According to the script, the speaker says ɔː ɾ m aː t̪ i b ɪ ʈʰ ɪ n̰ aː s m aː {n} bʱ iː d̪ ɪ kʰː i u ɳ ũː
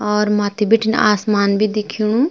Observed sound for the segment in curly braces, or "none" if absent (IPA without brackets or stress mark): n